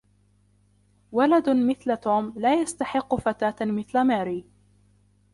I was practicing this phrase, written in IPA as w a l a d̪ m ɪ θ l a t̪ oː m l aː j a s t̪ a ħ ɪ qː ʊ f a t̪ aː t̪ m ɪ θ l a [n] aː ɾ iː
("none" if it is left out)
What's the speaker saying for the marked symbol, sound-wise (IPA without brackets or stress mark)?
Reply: m